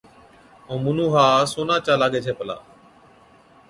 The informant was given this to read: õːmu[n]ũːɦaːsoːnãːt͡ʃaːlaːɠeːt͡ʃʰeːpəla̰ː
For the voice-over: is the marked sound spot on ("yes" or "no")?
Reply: yes